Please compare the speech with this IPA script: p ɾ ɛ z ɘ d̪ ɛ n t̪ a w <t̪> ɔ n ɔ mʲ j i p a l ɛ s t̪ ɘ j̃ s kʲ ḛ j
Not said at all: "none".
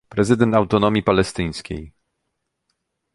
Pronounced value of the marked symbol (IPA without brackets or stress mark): t̪